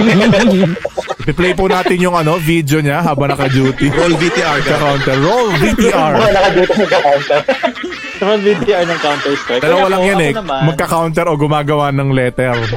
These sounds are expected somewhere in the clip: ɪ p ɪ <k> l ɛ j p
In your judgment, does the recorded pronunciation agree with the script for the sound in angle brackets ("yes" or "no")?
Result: no